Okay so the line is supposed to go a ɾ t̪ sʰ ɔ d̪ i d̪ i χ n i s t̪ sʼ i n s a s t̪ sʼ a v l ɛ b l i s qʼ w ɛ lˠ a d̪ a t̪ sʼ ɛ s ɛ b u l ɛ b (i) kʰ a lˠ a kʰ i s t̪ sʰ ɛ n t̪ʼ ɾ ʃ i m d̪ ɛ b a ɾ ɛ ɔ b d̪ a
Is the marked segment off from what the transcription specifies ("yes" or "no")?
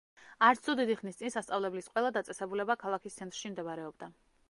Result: yes